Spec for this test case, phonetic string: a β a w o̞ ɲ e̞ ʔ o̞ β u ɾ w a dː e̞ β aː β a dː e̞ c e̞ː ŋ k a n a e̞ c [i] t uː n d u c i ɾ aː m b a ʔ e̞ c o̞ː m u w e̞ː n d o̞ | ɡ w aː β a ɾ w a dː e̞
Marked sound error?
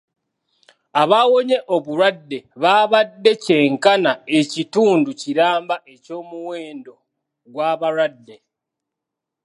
no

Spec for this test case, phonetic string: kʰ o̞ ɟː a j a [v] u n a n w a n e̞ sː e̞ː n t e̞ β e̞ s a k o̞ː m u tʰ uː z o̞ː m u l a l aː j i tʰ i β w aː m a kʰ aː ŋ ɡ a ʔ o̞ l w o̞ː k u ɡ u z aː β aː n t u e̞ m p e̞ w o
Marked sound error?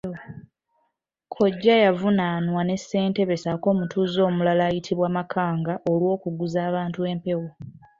no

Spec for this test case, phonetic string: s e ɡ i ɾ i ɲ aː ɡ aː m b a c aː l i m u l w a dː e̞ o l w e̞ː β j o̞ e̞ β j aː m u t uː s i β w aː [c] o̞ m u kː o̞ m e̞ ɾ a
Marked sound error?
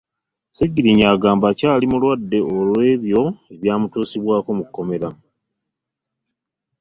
yes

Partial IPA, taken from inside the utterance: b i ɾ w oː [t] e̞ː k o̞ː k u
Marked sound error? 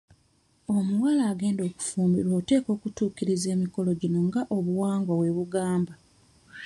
no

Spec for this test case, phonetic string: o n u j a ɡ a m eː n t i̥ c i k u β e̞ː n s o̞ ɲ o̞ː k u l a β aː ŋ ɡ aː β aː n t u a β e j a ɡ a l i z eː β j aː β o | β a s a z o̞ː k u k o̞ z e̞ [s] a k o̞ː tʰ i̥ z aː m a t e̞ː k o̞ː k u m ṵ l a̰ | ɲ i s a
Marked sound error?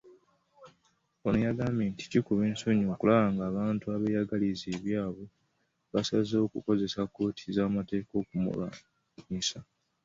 no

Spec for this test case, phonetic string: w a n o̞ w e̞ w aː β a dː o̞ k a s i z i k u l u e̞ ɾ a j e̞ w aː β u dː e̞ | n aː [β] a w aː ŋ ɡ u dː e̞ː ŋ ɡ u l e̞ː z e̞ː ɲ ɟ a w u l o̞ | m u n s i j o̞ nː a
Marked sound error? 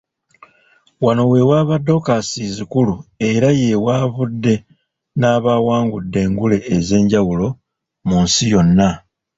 no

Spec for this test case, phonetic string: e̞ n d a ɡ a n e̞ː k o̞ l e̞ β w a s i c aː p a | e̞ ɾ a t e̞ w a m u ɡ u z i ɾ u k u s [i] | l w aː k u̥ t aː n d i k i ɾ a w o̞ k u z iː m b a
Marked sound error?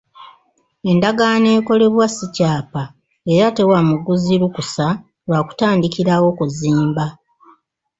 yes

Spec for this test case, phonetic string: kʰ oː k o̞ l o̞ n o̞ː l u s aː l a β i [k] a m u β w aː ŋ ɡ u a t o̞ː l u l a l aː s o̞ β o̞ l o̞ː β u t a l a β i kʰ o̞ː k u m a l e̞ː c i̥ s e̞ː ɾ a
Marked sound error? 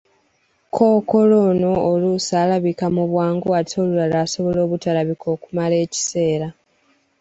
no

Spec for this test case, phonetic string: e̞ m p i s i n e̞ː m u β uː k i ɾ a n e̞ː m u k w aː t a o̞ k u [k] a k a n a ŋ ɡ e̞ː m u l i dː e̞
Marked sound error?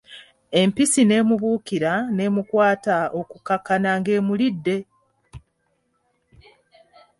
no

